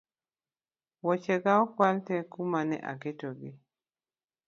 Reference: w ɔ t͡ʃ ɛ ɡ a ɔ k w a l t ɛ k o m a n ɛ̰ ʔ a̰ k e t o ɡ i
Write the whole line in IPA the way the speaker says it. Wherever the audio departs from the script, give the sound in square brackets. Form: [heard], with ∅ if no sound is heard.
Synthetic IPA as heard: w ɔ t͡ʃ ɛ ɡ a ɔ k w a l t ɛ k [u] m a n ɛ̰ ʔ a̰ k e t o ɡ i